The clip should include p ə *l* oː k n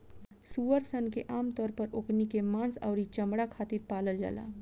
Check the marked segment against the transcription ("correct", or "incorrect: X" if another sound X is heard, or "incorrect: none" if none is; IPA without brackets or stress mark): incorrect: ɾ